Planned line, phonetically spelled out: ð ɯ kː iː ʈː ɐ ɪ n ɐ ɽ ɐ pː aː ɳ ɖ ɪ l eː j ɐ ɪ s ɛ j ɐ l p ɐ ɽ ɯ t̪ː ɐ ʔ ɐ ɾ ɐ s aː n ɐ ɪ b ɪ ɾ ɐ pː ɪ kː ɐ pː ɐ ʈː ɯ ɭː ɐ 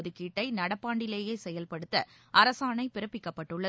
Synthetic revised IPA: ð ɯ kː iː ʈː ɐ ɪ n ɐ ɽ ɐ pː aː ɳ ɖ ɪ l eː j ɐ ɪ s ɛ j ɐ l p ɐ ɽ ɯ t̪ː ɐ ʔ ɐ ɾ ɐ s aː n ɐ ɪ p ɪ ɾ ɐ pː ɪ kː ɐ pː ɐ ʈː ɯ ɭː ɐ